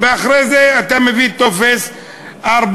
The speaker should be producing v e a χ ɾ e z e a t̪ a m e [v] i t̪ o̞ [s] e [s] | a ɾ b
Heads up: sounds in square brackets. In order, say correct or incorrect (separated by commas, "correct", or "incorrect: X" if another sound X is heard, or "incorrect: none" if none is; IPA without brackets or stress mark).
correct, incorrect: f, correct